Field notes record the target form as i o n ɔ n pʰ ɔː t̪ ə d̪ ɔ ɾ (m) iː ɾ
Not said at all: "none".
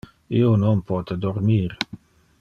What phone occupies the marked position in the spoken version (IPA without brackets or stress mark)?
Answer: m